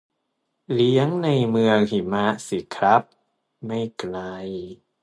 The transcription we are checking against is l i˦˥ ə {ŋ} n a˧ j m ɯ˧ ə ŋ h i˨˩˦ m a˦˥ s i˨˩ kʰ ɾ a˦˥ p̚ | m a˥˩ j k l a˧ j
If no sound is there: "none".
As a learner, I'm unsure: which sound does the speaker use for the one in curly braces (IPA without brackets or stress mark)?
ŋ